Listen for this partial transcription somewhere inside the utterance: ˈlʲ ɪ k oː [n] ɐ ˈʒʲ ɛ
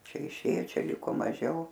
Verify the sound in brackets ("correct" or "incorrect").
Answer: incorrect